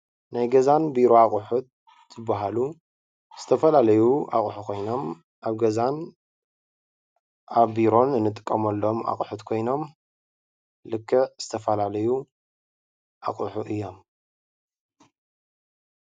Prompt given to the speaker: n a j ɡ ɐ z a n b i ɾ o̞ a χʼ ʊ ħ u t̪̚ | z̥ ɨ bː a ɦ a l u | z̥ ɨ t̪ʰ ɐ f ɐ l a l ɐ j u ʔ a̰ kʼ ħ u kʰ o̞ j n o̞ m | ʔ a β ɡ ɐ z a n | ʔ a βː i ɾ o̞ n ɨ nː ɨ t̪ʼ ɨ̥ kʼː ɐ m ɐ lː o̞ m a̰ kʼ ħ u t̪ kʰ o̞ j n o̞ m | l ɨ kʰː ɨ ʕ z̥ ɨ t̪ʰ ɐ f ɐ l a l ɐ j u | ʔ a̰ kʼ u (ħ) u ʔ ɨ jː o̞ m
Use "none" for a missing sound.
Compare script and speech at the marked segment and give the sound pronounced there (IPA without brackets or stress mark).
ħ